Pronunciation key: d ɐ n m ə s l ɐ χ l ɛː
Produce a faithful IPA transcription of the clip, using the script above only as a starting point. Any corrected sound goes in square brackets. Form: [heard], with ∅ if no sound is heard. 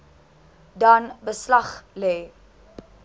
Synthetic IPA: d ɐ n [b] ə s l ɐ χ l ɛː